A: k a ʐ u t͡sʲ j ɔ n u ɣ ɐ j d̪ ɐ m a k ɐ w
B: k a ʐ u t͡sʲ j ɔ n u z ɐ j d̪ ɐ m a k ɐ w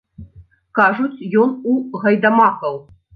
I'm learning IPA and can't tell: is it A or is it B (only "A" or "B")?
A